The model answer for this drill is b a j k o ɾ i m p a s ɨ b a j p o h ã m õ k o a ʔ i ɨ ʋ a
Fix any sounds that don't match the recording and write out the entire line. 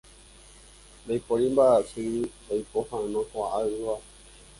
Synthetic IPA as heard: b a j p o ɾ i m b a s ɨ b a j p o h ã n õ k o a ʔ a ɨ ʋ a